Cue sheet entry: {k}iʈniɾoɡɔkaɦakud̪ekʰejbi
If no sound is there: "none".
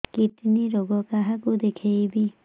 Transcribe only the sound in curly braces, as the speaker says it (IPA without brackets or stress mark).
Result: k